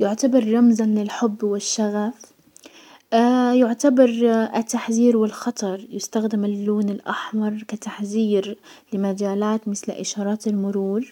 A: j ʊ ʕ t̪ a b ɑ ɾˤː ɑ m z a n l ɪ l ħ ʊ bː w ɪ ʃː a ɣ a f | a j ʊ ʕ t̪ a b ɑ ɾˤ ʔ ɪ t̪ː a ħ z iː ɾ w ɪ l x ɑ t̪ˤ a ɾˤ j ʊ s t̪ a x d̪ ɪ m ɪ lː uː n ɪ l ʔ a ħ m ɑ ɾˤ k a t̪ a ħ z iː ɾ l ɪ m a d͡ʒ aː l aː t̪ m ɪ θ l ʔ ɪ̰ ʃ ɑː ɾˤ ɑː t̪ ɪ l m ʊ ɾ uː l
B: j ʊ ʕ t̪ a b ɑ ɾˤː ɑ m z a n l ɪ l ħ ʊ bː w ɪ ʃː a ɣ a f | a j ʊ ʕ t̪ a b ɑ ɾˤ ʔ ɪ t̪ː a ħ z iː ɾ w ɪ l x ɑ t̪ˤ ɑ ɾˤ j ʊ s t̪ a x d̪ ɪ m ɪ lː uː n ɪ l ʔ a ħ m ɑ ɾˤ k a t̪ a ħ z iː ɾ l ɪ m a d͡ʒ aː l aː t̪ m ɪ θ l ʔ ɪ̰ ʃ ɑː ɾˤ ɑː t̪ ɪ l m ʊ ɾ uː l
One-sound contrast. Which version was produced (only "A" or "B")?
B